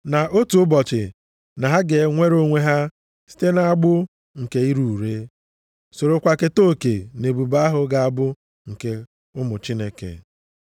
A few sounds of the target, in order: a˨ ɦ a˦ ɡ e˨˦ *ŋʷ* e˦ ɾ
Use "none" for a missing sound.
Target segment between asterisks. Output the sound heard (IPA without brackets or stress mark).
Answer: ŋʷ